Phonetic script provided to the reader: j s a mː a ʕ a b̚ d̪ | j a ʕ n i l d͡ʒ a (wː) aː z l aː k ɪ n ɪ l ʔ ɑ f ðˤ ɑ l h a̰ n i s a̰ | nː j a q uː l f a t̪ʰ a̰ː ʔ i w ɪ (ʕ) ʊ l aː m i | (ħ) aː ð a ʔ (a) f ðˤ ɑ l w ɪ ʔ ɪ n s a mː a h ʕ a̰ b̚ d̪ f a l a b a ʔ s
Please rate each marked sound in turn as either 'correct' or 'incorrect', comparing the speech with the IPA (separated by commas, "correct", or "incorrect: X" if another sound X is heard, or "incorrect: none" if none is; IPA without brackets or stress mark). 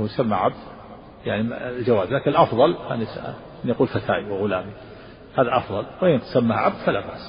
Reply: incorrect: w, incorrect: ɣ, incorrect: h, incorrect: ɑ